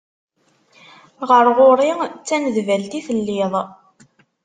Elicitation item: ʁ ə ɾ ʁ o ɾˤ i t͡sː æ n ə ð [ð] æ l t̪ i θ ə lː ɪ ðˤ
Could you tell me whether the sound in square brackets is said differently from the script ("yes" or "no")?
yes